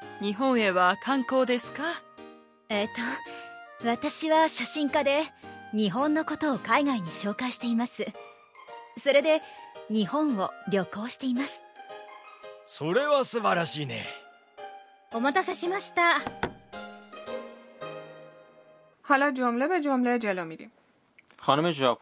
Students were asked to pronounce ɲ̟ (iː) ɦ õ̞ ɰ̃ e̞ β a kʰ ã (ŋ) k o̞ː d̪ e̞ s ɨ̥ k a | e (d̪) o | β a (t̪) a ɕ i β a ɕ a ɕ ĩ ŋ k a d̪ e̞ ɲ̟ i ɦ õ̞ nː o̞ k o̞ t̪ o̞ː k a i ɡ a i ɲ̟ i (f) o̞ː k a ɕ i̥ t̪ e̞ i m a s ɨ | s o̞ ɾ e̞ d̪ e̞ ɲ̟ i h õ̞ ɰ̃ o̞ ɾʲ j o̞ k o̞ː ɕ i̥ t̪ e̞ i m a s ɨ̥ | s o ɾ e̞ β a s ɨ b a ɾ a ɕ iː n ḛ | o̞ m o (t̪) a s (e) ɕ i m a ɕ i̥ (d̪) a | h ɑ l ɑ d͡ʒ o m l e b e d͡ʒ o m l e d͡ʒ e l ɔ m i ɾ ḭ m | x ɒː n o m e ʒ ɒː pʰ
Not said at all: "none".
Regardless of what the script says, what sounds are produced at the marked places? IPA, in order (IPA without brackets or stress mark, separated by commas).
i, ŋ, t̪, t̪, ɕ, t̪, a, t̪